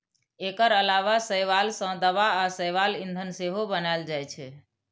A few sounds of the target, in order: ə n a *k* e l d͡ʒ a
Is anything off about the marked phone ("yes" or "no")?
yes